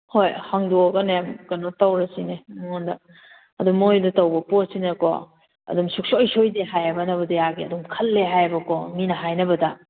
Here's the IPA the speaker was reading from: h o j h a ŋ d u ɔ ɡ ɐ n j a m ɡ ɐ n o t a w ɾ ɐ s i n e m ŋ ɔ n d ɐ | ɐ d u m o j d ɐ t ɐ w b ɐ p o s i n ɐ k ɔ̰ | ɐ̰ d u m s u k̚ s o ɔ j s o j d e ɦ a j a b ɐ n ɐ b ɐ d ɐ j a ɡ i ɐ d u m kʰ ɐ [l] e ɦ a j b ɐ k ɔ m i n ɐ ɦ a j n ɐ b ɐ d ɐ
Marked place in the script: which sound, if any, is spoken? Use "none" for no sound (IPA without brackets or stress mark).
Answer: lː